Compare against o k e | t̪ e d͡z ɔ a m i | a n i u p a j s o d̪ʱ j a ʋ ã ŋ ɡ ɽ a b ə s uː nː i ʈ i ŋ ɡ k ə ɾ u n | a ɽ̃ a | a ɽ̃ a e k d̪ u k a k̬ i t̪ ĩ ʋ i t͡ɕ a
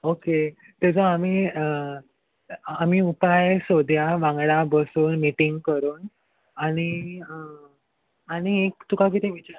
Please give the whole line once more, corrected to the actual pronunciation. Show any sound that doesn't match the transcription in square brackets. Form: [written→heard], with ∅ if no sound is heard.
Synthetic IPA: o k e | t̪ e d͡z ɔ a m i | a [n→m] i u p a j s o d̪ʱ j a ʋ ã ŋ ɡ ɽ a b ə s uː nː i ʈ i ŋ ɡ k ə ɾ [u→uː] n | a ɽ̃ [a→i] | a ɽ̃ [a→i] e k [d̪→t̪] u k a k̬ i t̪ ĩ ʋ i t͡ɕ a